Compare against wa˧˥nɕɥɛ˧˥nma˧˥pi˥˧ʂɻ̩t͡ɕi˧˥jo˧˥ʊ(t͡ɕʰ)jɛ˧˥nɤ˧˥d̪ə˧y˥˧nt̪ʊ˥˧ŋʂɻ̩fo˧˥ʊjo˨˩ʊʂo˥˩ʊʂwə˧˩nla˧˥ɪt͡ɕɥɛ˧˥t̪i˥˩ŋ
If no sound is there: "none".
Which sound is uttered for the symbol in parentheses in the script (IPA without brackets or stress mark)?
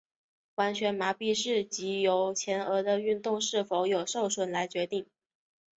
t͡ɕʰ